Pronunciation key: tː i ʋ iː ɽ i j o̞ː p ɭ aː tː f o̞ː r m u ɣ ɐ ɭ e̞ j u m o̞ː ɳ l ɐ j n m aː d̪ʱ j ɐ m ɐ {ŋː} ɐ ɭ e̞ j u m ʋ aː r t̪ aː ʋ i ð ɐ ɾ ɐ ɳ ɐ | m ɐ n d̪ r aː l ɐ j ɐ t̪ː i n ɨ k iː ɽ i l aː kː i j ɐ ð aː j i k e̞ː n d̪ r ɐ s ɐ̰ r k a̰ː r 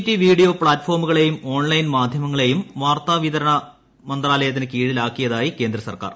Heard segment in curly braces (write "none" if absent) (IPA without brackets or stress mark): ŋː